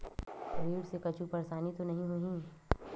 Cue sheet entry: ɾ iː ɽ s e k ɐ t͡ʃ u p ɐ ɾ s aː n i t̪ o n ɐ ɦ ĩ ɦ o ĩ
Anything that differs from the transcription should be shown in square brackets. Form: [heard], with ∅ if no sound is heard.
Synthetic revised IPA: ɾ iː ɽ s e k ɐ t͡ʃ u p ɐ ɾ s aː n i t̪ o n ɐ ɦ ĩ ɦ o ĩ